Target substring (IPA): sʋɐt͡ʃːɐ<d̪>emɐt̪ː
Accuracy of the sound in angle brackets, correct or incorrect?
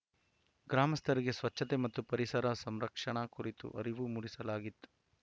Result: incorrect